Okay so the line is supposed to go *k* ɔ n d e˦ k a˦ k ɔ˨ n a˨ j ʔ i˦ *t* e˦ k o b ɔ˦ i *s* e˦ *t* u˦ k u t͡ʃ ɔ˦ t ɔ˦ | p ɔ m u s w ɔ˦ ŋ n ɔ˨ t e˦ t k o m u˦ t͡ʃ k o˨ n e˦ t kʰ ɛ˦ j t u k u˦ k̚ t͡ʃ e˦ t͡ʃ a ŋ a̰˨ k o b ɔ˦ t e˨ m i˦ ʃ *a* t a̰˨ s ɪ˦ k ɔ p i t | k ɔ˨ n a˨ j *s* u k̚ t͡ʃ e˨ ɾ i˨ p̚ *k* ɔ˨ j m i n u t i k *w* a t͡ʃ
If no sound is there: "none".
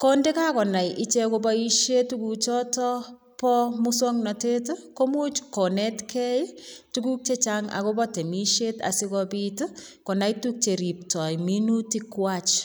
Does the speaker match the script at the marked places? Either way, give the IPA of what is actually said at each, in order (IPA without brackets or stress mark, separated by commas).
k, t͡ʃ, ʃ, t, e, t, t, w